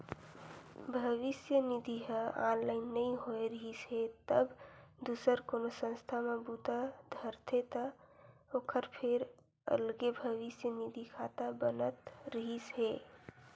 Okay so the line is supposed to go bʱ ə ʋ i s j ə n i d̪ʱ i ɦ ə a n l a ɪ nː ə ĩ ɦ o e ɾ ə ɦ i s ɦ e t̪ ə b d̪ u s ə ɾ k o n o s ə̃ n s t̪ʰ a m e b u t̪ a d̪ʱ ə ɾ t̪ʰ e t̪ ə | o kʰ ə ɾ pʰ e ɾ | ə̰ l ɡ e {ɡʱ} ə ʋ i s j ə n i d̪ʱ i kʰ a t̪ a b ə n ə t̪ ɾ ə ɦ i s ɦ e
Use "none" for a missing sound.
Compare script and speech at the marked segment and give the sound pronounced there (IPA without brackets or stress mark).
bʱ